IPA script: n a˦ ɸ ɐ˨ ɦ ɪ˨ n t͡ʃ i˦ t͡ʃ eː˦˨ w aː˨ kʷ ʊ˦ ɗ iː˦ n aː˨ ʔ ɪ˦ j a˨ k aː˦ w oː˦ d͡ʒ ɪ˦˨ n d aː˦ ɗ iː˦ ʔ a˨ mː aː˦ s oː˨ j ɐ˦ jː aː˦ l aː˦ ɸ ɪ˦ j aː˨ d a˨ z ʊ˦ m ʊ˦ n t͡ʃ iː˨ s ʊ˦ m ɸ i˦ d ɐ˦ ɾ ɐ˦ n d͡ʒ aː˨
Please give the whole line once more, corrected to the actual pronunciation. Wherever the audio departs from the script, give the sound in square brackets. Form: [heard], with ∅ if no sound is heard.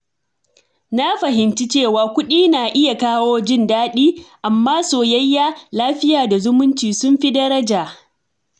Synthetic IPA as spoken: n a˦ ɸ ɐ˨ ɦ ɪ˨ n t͡ʃ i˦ t͡ʃ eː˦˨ w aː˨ kʷ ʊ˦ ɗ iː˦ n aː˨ ʔ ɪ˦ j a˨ k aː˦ w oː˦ d͡ʒ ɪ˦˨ n d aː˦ ɗ iː˦ ʔ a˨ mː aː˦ s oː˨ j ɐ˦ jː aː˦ l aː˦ ɸ ɪ˦ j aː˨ d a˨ z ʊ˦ m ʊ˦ n t͡ʃ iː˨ s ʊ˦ m ɸ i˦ d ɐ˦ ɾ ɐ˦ [∅] d͡ʒ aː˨